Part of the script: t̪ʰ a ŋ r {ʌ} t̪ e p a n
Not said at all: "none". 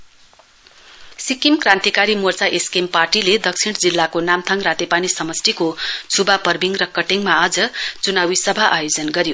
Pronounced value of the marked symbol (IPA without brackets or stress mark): a